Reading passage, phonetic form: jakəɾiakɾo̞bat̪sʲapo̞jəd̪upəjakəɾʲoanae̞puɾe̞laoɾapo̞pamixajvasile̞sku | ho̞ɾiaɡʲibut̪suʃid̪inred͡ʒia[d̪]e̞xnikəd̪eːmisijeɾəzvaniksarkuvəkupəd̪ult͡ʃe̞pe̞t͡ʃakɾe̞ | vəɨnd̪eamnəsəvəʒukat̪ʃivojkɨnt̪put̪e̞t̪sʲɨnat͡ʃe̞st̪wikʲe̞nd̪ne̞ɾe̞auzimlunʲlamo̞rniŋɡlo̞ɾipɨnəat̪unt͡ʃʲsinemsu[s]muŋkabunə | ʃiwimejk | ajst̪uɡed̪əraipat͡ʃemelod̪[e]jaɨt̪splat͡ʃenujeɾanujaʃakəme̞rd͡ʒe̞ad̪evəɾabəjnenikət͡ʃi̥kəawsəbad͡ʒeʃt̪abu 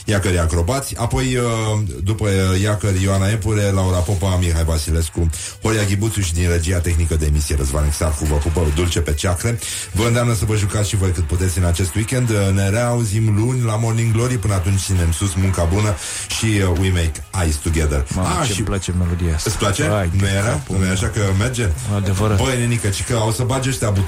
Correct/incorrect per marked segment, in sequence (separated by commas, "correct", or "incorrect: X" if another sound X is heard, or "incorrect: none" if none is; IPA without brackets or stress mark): incorrect: t̪, correct, incorrect: i